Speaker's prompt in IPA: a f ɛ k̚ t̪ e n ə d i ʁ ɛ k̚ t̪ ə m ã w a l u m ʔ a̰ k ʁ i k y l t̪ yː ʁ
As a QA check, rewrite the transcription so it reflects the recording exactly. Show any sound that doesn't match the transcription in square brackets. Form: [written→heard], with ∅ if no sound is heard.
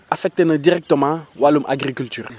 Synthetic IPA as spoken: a f ɛ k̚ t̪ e n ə d i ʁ ɛ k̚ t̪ ə m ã w a l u m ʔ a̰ [k→ɡ] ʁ i k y l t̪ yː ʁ